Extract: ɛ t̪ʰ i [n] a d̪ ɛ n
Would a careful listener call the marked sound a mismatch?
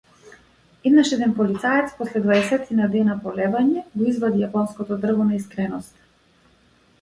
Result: no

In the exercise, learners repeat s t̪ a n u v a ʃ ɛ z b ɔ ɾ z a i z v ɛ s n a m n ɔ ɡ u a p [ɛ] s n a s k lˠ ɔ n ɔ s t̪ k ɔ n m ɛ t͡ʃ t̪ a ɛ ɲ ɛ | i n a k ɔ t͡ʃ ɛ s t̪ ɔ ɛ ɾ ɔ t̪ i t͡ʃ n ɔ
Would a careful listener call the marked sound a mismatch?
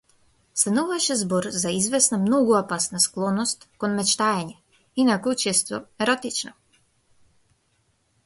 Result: yes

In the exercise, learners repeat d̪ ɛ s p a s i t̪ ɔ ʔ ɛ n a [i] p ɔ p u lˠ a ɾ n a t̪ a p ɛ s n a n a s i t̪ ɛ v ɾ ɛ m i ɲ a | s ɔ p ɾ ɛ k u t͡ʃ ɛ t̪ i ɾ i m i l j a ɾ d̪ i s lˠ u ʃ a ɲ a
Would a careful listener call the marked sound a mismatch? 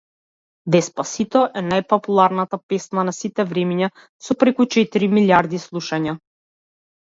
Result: yes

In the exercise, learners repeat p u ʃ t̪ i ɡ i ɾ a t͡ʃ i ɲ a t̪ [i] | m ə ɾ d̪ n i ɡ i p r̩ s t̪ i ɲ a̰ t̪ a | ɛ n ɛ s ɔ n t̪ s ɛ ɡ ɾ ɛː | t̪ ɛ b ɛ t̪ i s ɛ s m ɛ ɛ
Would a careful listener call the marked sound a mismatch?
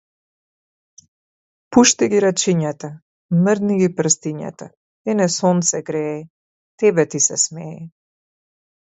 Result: yes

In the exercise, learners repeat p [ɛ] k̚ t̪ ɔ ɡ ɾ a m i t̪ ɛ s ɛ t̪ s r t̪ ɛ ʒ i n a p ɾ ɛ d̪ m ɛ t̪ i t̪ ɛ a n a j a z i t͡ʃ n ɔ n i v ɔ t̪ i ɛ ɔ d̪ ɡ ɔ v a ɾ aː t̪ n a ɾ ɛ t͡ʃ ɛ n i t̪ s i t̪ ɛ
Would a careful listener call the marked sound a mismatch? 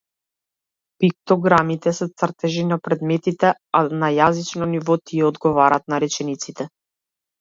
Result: yes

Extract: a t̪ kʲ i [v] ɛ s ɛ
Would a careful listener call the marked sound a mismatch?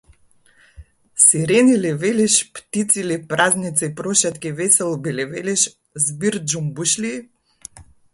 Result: no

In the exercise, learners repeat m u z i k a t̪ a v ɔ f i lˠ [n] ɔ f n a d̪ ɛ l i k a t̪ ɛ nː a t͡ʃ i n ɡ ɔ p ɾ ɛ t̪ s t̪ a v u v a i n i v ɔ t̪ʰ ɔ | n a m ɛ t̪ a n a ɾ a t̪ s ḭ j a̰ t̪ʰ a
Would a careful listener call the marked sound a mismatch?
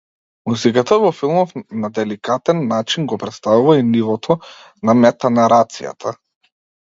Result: yes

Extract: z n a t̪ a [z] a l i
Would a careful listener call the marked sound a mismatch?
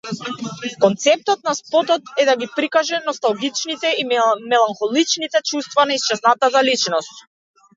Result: no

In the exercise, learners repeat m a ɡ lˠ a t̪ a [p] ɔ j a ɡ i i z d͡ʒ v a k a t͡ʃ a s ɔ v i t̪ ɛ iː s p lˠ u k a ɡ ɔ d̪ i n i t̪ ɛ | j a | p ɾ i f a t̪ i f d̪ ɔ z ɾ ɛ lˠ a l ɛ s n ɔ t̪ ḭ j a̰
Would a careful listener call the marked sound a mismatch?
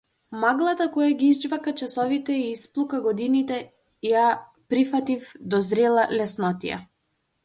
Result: yes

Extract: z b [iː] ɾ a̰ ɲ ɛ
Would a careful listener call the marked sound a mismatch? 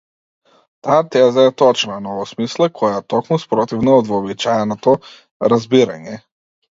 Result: yes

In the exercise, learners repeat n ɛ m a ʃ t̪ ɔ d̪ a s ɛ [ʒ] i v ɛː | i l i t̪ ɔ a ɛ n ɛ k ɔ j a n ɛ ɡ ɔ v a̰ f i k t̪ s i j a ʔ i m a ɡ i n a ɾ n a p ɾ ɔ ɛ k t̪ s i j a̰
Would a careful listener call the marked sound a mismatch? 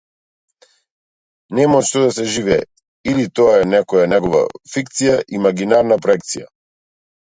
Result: no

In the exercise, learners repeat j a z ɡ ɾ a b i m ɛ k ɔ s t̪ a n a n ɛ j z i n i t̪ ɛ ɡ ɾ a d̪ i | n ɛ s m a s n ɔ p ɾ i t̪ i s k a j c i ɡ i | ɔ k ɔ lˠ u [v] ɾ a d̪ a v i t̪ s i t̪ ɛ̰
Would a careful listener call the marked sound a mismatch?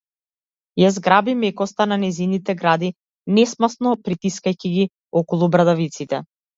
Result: yes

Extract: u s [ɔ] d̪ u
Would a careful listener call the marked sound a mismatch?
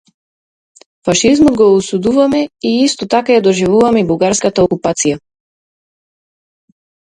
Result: yes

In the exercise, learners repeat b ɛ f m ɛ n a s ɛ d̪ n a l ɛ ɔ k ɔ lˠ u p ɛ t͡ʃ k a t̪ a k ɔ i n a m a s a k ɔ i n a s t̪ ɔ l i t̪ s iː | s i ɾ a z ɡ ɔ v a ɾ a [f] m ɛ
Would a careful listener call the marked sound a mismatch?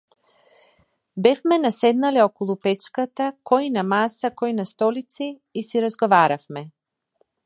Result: no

